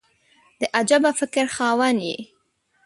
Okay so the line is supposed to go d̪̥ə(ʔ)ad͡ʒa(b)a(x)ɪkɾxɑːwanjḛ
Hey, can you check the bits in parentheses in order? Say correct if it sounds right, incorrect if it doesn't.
correct, correct, incorrect

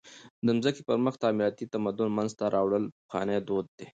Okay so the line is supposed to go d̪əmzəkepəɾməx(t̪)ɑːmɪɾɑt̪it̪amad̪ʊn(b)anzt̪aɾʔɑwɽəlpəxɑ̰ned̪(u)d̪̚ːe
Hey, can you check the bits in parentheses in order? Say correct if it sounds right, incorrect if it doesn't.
correct, incorrect, incorrect

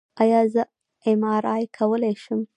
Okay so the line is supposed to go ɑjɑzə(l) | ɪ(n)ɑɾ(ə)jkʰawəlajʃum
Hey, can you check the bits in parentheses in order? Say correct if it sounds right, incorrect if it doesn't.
incorrect, incorrect, incorrect

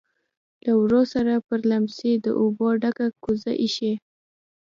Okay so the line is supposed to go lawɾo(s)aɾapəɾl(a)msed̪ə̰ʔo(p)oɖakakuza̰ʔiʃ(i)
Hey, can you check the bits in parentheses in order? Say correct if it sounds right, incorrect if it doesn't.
correct, correct, incorrect, incorrect

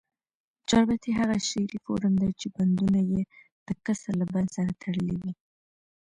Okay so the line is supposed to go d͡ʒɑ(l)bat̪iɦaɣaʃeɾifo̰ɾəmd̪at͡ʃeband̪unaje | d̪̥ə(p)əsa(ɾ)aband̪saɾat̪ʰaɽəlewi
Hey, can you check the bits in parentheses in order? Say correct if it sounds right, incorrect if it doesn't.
incorrect, incorrect, incorrect

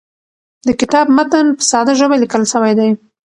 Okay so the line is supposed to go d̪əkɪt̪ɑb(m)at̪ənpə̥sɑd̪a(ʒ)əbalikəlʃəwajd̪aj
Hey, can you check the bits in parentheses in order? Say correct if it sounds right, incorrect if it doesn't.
correct, correct

